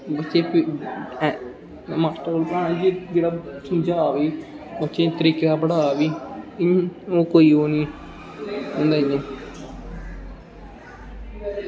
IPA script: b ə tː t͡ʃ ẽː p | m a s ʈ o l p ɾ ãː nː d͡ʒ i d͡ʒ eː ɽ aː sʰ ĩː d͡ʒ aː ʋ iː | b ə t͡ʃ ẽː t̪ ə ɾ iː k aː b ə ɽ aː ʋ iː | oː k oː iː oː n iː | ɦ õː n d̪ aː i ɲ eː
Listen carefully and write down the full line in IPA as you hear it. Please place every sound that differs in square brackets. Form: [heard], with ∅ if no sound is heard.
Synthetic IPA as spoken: b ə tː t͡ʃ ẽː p | m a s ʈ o l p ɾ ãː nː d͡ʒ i d͡ʒ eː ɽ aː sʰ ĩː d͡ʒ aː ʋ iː | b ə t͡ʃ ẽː t̪ ə ɾ iː k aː b ə ɽ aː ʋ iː | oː k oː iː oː n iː | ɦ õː n d̪ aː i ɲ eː